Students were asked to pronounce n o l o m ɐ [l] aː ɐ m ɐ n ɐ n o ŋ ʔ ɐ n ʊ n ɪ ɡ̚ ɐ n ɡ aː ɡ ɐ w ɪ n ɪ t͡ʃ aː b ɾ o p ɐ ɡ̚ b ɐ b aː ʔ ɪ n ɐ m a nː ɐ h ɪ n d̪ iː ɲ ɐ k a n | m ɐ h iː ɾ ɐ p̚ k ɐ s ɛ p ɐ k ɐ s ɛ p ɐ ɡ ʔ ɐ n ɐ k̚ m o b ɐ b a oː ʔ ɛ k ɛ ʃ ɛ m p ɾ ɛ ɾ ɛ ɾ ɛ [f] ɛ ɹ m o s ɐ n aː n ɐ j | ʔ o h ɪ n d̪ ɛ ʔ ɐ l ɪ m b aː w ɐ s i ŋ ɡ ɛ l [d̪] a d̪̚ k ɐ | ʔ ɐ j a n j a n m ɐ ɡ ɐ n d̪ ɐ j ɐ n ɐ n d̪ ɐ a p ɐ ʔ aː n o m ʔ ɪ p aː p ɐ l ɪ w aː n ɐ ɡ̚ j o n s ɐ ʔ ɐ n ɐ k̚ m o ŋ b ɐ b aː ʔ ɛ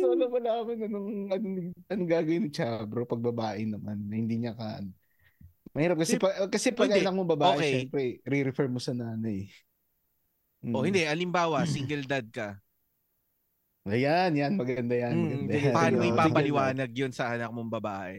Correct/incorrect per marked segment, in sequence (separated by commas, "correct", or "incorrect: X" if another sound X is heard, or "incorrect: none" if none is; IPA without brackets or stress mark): correct, correct, correct